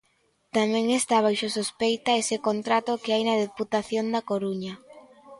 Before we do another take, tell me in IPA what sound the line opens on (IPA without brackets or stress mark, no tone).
t̪